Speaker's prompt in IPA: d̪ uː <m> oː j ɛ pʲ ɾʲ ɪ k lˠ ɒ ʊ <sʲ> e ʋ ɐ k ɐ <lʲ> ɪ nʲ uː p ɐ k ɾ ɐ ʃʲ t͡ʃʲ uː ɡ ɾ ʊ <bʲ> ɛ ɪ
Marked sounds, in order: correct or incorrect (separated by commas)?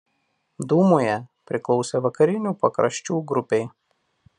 correct, correct, incorrect, incorrect